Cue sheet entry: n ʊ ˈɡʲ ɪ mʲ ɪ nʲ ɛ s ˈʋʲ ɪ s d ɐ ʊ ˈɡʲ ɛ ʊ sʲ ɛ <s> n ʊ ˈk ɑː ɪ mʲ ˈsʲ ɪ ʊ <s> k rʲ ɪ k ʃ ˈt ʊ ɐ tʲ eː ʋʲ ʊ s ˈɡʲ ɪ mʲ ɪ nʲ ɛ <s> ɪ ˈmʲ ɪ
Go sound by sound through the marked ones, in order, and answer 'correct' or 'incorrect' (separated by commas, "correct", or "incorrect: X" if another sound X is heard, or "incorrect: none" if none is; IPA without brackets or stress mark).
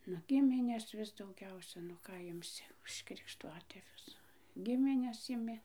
incorrect: none, incorrect: ʃ, correct